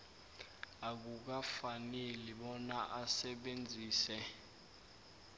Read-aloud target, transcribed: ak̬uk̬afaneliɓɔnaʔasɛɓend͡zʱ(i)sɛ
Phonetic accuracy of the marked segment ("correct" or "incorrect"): incorrect